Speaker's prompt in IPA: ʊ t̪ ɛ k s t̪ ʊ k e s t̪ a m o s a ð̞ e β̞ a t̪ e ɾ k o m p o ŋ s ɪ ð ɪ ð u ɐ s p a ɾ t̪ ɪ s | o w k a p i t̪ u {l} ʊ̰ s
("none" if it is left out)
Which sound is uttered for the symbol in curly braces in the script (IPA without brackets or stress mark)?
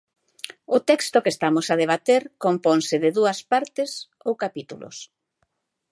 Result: l